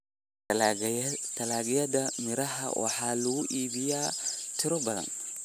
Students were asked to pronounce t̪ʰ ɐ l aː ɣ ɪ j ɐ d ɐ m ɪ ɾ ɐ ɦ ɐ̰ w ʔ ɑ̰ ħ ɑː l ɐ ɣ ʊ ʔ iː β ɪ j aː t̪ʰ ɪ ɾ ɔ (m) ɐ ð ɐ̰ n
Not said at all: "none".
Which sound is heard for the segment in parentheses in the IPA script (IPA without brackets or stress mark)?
b